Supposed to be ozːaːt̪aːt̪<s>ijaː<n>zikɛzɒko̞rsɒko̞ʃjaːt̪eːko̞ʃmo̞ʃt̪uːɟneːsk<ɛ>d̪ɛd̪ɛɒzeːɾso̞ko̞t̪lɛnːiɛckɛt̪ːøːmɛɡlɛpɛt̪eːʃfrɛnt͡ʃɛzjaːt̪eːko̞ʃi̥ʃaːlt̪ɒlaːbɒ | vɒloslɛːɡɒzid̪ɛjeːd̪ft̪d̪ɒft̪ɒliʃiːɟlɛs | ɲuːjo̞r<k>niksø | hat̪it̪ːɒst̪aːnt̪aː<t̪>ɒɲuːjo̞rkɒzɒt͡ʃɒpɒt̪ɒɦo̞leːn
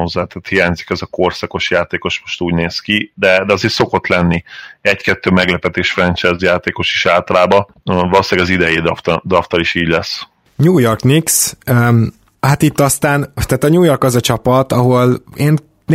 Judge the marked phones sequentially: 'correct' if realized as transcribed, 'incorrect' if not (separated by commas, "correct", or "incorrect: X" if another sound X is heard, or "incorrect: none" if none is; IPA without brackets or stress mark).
incorrect: h, incorrect: ɲ, incorrect: i, correct, correct